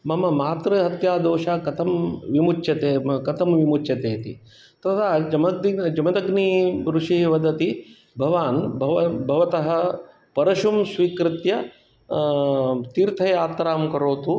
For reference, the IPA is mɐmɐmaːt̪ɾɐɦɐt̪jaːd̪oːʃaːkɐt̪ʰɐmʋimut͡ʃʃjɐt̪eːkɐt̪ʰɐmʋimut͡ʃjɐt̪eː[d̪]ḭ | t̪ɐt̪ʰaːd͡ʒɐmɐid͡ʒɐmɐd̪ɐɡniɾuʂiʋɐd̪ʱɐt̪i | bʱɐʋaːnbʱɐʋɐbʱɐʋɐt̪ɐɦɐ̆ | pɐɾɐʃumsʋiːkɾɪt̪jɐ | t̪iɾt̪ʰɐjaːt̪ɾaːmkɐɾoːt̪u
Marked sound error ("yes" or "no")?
yes